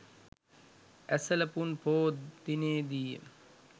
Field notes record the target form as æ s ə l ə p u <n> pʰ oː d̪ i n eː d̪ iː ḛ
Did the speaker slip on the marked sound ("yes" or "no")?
no